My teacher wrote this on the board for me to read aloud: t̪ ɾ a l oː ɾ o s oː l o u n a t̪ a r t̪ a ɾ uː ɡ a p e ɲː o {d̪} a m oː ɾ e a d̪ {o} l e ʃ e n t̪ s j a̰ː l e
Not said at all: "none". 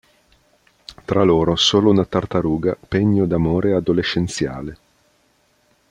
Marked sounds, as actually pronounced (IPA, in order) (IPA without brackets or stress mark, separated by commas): d̪, o